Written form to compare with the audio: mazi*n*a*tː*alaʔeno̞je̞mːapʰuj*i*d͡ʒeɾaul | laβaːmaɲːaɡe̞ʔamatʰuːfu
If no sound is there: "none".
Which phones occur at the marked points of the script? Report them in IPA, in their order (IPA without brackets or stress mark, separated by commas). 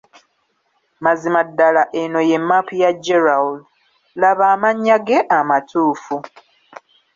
m, dː, a